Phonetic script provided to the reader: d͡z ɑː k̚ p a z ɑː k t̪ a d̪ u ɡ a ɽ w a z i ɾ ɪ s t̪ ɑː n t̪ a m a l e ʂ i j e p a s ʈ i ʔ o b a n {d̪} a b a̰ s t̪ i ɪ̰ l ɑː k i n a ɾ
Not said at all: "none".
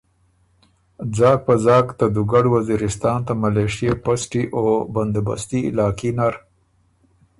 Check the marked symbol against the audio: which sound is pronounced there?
d̪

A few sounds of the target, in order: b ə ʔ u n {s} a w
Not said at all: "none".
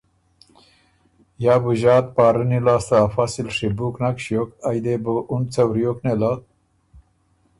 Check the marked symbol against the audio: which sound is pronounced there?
t͡s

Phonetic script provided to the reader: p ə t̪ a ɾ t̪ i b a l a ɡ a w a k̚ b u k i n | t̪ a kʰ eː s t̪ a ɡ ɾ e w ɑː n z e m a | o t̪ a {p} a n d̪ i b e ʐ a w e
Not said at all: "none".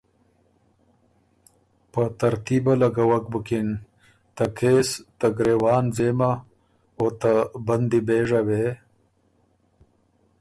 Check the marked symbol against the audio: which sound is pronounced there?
b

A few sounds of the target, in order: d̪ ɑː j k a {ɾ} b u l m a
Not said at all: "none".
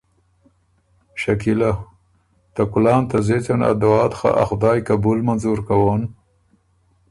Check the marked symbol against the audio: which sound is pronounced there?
none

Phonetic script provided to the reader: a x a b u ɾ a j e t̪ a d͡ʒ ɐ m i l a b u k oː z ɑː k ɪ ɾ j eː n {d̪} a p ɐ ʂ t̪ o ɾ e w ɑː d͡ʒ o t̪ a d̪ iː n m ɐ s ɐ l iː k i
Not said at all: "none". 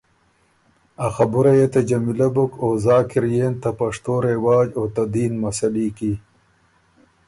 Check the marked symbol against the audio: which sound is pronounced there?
t̪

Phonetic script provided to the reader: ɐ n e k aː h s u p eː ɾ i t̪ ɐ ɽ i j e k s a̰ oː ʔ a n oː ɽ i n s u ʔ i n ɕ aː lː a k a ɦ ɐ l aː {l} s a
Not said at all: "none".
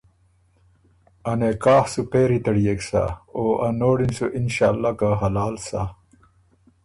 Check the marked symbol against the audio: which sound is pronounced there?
l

